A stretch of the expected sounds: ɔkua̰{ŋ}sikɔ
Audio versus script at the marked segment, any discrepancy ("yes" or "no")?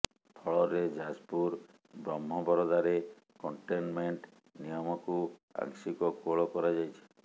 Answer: no